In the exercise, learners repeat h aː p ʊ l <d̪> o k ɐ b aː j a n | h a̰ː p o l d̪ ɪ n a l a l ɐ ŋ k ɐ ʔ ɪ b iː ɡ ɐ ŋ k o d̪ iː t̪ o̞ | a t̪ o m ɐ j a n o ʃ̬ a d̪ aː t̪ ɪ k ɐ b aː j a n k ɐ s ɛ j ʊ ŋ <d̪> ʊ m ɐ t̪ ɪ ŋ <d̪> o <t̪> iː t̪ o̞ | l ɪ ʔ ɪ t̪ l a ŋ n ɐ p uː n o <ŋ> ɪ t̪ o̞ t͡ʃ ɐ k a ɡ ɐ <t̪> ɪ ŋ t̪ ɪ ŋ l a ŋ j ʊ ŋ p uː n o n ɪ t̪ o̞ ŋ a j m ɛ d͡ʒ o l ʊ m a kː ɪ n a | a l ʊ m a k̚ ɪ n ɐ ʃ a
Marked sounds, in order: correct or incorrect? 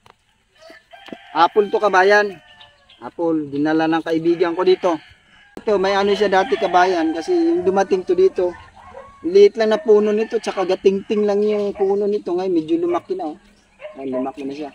incorrect: t̪, correct, incorrect: t̪, incorrect: d̪, incorrect: n, correct

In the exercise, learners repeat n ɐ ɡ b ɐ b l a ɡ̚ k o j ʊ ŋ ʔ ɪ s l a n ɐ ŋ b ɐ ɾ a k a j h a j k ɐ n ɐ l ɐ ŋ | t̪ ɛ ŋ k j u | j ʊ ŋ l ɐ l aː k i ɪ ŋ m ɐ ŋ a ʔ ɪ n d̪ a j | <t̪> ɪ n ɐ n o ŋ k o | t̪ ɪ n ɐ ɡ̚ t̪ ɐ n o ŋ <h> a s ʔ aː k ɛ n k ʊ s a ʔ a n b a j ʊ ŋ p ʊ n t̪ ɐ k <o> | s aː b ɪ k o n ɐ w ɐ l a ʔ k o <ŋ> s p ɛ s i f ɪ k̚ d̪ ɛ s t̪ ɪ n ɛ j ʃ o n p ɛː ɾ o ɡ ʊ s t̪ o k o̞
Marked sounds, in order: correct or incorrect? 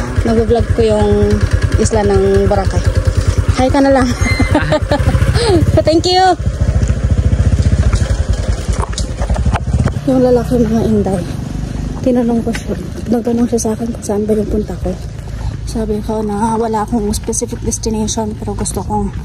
correct, incorrect: ʃ, correct, correct

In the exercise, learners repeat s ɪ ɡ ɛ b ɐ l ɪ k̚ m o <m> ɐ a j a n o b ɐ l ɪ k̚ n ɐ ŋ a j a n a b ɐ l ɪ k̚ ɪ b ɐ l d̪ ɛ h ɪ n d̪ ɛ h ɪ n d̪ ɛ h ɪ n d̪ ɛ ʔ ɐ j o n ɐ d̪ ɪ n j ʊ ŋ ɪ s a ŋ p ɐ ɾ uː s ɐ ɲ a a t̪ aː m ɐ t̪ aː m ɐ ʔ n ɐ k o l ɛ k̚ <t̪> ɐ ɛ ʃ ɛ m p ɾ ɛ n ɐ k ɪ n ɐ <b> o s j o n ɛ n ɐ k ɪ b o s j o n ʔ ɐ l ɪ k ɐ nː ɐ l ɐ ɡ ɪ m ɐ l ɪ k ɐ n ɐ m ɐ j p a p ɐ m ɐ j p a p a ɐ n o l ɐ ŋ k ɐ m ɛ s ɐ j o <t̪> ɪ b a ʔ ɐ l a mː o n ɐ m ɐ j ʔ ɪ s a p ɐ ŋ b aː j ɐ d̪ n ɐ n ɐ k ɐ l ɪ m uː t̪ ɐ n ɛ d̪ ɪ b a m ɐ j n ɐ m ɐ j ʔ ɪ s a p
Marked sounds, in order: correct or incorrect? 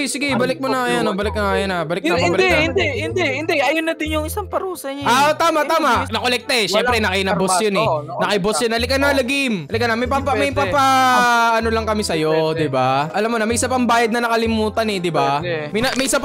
incorrect: n, correct, correct, incorrect: d̪

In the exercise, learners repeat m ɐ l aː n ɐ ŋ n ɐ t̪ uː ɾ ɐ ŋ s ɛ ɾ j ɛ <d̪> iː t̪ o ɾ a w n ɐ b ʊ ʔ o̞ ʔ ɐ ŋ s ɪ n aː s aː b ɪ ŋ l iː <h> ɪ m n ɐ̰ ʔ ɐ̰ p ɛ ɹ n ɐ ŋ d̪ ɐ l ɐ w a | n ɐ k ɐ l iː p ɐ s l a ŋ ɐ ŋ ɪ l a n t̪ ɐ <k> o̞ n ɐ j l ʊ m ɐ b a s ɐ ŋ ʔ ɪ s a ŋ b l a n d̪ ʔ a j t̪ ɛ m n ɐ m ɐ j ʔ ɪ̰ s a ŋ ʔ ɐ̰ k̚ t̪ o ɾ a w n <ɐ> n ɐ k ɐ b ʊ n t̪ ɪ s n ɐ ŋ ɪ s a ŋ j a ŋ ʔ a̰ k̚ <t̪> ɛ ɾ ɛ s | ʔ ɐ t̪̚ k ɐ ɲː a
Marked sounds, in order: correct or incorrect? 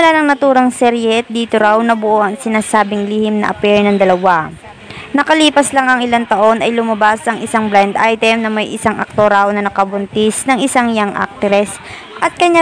correct, correct, incorrect: ʔ, correct, correct

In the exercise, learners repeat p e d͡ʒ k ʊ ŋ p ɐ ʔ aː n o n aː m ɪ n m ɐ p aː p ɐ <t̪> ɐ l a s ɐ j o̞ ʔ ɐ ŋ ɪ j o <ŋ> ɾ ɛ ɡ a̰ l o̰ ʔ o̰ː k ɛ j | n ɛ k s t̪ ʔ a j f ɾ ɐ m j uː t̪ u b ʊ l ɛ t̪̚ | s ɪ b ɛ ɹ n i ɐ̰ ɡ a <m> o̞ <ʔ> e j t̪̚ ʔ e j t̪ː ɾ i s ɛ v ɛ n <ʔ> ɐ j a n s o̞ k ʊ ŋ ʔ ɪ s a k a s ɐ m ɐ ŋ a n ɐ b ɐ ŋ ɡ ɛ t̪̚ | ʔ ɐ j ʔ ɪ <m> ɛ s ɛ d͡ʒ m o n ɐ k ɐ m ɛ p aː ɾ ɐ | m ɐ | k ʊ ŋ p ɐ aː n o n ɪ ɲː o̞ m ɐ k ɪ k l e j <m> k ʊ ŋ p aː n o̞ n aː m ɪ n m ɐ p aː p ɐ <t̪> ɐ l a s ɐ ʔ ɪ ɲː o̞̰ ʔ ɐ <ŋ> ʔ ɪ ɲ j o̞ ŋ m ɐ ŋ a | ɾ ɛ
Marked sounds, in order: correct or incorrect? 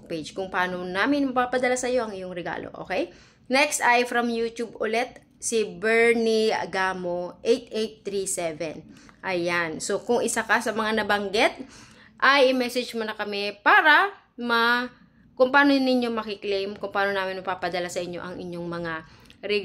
incorrect: d̪, correct, correct, correct, correct, correct, correct, incorrect: d̪, correct

